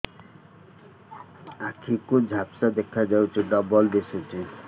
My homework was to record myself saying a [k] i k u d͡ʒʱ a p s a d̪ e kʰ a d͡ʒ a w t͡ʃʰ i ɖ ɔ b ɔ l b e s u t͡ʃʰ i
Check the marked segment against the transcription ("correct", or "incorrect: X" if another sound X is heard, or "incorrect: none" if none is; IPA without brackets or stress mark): incorrect: kʰ